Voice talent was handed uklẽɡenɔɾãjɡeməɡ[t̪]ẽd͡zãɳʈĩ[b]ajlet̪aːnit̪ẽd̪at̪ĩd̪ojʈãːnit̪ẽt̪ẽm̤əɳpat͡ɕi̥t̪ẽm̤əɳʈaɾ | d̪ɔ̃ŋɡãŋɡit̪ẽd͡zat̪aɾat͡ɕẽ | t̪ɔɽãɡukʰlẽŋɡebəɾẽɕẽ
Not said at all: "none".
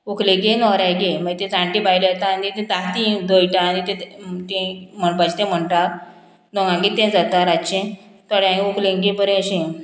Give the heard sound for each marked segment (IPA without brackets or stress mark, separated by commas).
t̪, b